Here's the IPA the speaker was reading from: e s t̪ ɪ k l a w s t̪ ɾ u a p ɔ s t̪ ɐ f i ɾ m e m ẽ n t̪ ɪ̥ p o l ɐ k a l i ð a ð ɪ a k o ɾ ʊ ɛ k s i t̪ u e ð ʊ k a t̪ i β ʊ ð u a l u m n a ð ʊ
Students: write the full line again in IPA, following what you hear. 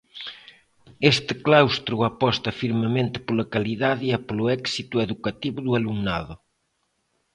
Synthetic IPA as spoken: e s t̪ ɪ k l a w s t̪ ɾ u a p ɔ s t̪ ɐ f i ɾ m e m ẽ n t̪ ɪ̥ p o l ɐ k a l i ð a ð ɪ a p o l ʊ ɛ k s i t̪ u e ð u k a t̪ i β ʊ ð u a l u ŋ n a ð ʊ